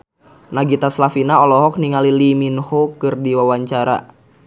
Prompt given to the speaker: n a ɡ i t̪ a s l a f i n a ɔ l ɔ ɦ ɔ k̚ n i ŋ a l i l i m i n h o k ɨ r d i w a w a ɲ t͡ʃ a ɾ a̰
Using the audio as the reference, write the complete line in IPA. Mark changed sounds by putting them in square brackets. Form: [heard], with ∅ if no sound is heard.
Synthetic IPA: n a ɡ i t̪ a s l a f i n a ɔ l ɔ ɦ ɔ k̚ n i ŋ a l i l i m i n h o k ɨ r d i w a w a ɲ t͡ʃ a ɾ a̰

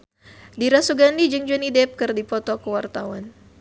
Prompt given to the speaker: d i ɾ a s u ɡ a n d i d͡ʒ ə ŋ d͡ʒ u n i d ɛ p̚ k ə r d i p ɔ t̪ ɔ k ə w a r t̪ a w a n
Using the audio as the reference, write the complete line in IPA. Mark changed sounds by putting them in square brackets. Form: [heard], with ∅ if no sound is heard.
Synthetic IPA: d i ɾ a s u ɡ a n d i d͡ʒ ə ŋ d͡ʒ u n i d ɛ p̚ k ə r d i p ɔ t̪ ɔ k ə w a r t̪ a w a n

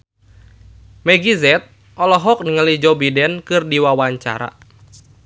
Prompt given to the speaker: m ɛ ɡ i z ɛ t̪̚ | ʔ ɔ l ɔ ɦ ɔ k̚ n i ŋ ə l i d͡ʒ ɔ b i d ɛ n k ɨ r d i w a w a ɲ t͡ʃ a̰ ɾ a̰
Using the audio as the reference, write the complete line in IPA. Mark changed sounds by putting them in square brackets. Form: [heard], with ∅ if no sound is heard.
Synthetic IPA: m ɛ ɡ i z ɛ t̪̚ | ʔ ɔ l ɔ ɦ ɔ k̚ n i ŋ ə l i d͡ʒ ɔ b i d ɛ n k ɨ r d i w a w a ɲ t͡ʃ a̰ ɾ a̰

